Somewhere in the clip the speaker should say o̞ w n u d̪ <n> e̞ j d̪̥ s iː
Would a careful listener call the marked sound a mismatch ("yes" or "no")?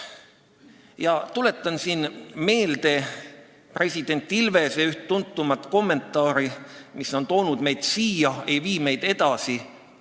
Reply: yes